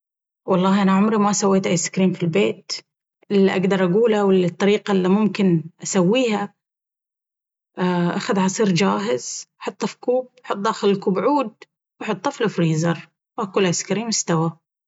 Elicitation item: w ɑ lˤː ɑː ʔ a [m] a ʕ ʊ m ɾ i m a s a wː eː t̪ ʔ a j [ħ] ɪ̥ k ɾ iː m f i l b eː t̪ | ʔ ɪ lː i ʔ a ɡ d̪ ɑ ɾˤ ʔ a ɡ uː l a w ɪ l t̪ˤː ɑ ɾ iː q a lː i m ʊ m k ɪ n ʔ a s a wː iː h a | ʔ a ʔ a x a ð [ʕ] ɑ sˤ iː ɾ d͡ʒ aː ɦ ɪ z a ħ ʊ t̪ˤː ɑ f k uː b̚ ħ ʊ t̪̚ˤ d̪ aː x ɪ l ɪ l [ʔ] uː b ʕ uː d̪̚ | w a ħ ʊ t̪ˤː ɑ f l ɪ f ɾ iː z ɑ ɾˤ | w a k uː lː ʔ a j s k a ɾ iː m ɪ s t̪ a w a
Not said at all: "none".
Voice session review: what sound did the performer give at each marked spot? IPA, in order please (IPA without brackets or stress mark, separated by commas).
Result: n, s, ʕ, k